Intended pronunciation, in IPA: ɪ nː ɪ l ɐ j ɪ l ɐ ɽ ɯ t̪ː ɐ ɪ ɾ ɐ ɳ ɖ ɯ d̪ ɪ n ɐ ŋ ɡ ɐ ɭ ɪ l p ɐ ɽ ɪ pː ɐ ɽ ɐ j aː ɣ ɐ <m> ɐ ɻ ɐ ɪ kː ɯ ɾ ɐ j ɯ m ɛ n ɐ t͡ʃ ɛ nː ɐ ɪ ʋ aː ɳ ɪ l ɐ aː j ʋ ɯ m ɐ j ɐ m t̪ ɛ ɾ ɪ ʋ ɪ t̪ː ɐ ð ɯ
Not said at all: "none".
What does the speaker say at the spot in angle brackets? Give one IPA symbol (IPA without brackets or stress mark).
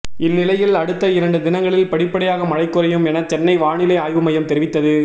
m